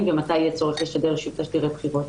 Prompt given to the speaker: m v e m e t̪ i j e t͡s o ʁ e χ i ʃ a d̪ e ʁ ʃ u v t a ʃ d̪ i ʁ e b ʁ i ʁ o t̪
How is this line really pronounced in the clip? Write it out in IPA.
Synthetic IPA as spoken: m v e m a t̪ a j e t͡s o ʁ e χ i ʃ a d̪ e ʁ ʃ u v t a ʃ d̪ i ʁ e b χ i ʁ o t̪